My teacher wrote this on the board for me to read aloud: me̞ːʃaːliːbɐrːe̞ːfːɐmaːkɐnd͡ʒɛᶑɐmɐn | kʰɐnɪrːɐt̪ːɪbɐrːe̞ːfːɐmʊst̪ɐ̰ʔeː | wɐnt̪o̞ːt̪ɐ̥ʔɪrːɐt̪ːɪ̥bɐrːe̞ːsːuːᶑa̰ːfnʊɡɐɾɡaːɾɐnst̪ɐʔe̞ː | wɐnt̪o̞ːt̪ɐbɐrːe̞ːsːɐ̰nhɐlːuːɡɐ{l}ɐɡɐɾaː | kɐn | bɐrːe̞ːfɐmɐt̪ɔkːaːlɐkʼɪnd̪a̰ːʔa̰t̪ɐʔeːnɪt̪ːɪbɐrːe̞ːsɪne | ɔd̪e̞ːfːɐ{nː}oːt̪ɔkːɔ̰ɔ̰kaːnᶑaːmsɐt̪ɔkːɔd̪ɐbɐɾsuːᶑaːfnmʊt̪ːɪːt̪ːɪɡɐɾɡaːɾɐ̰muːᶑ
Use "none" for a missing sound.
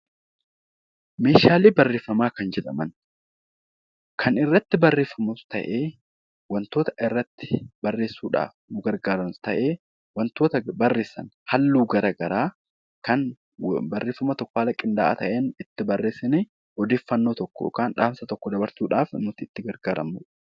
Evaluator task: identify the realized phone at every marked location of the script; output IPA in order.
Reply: ɾ, nː

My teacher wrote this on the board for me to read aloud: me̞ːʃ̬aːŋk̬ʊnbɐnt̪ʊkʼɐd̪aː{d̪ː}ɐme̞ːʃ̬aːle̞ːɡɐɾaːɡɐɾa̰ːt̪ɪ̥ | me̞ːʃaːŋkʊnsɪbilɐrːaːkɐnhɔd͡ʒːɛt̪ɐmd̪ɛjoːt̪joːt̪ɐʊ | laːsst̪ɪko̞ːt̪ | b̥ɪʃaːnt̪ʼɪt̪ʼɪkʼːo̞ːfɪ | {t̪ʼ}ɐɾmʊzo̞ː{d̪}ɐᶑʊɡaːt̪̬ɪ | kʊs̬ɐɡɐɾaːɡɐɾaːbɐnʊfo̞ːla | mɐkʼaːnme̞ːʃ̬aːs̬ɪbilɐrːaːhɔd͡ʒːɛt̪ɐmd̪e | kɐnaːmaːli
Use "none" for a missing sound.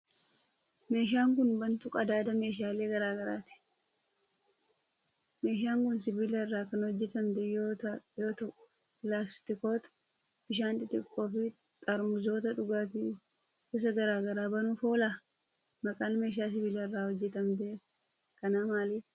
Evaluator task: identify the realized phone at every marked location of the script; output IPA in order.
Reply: d̪, t̪ʼ, t̪

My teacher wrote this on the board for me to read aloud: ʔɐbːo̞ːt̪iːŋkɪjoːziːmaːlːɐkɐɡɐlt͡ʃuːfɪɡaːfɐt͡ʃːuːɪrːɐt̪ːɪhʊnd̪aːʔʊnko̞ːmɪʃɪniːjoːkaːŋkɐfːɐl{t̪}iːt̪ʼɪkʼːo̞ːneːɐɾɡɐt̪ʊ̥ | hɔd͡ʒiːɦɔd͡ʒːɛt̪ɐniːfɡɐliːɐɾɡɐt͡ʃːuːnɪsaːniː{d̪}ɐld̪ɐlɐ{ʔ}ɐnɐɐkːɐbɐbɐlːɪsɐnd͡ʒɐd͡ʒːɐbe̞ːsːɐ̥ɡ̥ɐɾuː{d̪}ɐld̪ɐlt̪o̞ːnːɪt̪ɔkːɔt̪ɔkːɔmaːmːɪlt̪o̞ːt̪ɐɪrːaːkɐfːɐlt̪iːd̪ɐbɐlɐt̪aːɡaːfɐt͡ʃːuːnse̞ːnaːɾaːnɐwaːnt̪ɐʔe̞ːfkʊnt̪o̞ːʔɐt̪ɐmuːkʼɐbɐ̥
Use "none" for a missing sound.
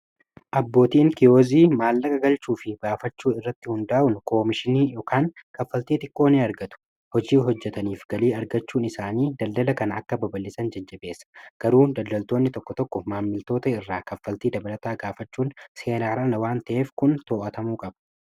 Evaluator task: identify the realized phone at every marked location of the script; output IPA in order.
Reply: t̪, d̪, k, d̪

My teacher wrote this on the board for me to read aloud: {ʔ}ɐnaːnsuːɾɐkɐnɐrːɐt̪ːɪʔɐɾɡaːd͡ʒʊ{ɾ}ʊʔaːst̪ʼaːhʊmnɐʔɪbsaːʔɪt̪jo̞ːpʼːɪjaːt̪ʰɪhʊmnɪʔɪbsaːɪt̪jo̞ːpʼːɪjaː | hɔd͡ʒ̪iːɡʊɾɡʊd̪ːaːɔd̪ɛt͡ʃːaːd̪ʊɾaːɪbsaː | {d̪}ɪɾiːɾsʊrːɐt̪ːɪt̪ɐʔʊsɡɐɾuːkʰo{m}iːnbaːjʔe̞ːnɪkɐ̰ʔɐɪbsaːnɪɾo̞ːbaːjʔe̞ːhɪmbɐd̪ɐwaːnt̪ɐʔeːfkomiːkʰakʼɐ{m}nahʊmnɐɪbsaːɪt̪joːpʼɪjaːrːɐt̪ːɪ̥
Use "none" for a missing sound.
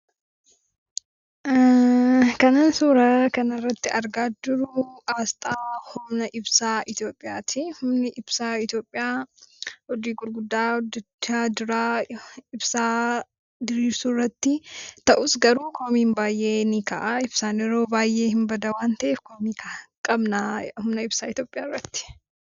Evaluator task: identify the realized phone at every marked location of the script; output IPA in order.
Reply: k, ɾ, d̪, m, b

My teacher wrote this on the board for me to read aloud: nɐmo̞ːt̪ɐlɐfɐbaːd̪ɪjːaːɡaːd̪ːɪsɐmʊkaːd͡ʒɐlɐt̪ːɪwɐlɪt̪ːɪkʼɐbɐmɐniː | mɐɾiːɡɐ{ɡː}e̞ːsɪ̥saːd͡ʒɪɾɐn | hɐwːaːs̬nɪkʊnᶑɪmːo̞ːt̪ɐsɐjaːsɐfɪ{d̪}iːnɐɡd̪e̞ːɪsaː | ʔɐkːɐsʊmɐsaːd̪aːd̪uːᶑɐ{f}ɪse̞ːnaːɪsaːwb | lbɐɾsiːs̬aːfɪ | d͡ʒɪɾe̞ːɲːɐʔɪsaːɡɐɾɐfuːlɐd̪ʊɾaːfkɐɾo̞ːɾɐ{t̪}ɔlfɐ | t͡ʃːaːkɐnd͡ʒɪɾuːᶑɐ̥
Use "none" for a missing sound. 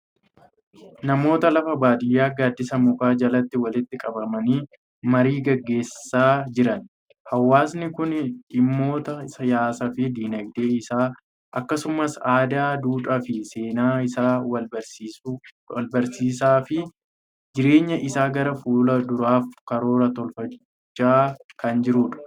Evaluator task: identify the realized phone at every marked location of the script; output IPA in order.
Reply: ɡː, d̪, f, t̪

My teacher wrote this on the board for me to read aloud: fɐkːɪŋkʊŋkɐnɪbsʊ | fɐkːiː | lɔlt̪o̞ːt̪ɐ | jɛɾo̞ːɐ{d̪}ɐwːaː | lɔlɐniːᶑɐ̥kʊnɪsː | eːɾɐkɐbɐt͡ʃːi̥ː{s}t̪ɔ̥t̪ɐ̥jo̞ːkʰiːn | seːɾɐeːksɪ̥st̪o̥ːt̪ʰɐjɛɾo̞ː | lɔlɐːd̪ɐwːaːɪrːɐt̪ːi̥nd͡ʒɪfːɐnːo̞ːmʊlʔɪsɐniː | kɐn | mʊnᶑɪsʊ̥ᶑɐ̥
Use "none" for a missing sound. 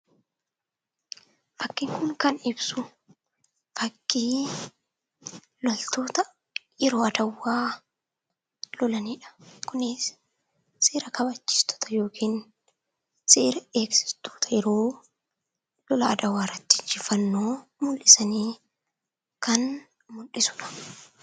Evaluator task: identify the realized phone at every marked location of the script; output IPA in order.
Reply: d̪, s

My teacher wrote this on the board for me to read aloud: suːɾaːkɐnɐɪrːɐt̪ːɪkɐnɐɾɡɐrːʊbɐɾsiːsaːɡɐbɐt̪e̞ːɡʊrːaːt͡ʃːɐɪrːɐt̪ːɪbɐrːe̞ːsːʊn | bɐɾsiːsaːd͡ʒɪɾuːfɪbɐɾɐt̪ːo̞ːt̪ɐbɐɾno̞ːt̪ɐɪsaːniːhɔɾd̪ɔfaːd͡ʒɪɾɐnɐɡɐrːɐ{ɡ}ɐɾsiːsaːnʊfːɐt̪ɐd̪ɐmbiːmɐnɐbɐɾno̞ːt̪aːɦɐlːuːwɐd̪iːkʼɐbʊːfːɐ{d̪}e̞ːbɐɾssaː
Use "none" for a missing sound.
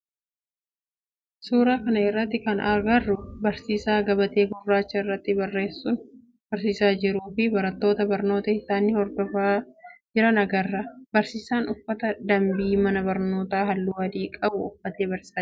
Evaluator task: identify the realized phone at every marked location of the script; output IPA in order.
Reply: b, t̪

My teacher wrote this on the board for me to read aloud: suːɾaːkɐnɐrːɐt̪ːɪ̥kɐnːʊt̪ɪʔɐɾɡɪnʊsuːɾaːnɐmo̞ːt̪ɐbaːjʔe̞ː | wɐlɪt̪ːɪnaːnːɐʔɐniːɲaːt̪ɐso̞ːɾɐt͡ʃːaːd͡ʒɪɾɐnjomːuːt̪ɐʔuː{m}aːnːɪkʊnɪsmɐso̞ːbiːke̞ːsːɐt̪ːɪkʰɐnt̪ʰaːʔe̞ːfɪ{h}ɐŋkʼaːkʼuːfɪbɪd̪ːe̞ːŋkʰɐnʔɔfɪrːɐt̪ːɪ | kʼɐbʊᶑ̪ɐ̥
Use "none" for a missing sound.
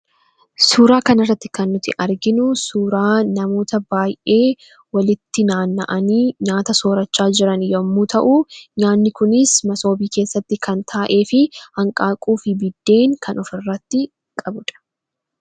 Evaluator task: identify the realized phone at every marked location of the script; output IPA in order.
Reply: ɲ, h

